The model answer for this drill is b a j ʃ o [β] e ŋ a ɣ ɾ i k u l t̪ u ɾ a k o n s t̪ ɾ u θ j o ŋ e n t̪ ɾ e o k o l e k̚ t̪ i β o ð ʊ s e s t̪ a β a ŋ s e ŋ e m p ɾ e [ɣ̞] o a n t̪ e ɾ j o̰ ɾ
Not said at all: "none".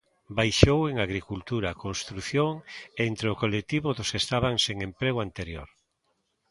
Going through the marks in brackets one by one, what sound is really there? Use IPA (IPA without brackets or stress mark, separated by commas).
w, ɣ̞